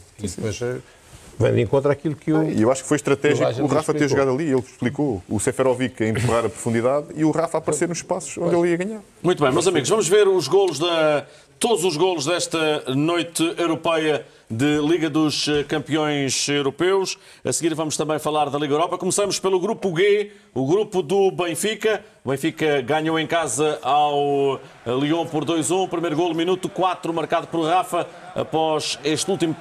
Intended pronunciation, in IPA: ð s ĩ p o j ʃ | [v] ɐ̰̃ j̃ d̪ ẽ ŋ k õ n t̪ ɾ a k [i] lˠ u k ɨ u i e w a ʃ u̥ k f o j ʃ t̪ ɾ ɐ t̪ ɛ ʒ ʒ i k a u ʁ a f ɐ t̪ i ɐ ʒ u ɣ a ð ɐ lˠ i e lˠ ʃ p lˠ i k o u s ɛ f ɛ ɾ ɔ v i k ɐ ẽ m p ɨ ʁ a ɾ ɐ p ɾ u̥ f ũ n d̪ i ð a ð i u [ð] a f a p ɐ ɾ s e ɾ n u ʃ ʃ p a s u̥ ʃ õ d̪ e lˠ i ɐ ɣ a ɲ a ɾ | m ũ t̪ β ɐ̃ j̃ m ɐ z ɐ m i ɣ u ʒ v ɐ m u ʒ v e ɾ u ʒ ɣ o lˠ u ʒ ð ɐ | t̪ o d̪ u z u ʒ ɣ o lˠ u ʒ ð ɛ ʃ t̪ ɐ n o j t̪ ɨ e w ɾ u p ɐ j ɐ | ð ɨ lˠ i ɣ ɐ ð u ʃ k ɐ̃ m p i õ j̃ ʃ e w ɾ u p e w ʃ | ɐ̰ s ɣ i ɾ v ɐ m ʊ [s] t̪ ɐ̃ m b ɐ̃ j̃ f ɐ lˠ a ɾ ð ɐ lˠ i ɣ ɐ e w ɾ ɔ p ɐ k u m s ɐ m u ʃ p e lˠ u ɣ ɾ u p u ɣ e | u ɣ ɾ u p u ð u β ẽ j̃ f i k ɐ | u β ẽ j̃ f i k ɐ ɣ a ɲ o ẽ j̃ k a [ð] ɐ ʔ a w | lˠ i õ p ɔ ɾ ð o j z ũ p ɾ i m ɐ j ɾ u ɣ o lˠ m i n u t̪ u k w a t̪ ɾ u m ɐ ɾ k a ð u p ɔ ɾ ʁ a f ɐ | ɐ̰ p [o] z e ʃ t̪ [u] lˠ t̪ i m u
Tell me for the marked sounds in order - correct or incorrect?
correct, correct, incorrect, incorrect, incorrect, incorrect, correct

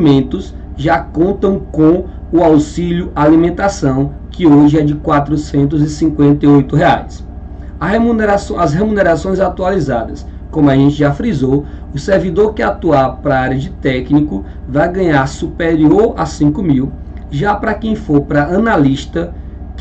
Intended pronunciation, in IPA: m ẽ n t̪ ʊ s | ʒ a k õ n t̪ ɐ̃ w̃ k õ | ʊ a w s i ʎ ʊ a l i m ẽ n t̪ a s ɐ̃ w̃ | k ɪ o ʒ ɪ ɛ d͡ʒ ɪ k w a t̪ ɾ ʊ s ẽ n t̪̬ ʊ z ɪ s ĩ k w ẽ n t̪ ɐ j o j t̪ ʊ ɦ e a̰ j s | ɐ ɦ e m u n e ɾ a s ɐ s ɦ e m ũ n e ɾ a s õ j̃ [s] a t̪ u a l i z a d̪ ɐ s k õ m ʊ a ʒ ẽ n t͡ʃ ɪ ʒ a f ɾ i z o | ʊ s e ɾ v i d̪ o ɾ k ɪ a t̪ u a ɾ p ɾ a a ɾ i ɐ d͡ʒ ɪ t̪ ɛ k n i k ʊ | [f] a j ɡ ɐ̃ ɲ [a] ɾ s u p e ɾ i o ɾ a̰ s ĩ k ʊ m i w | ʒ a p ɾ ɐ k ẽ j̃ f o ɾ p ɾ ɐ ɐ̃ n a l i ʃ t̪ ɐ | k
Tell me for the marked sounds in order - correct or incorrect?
incorrect, incorrect, correct

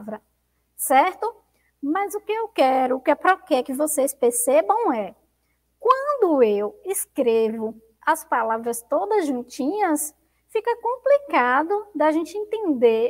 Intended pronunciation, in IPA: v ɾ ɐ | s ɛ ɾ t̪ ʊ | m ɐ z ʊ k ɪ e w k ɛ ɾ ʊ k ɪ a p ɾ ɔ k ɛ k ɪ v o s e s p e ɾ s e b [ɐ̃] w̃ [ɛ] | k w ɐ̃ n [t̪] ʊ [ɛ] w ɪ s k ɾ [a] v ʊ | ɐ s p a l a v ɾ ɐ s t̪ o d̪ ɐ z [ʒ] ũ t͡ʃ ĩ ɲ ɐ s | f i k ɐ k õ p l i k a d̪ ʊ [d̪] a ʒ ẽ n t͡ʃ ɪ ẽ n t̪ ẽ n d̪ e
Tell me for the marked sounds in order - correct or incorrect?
correct, correct, incorrect, incorrect, incorrect, correct, correct

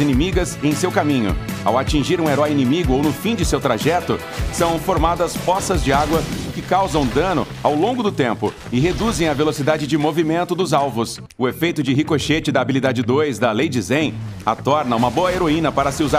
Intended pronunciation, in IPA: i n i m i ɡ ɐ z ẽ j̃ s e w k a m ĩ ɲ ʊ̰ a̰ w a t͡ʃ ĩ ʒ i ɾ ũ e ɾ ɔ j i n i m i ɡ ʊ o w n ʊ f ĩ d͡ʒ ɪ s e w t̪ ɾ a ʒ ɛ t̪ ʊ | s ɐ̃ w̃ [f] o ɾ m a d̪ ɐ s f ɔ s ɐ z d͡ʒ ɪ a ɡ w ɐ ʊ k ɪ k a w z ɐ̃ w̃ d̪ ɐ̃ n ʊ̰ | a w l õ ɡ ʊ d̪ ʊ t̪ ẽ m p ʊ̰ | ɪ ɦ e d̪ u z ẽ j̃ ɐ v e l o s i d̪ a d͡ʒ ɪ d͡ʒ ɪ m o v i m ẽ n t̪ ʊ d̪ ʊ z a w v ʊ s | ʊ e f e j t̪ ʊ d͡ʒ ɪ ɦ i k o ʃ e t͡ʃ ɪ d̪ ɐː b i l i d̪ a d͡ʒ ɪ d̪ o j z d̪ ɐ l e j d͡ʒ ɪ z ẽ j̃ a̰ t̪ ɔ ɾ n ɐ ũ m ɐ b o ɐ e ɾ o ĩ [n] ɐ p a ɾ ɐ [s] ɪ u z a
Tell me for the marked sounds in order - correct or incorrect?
correct, correct, correct

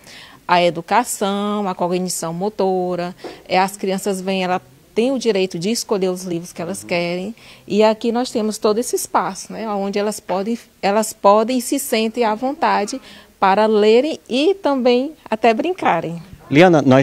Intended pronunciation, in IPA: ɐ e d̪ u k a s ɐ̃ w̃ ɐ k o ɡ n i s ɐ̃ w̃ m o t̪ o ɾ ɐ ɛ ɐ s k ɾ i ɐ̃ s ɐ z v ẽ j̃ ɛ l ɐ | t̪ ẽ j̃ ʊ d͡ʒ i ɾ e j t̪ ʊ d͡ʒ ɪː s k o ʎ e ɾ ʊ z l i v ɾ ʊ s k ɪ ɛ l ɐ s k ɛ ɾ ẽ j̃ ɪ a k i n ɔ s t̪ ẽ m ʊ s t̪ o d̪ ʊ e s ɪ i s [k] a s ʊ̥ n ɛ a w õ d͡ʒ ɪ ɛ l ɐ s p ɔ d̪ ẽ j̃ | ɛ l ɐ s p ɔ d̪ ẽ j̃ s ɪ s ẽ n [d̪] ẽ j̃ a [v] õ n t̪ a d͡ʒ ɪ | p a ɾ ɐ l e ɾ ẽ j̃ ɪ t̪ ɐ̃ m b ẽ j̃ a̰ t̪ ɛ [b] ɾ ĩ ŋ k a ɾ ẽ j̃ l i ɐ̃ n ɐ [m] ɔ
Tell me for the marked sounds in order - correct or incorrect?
incorrect, incorrect, correct, correct, incorrect

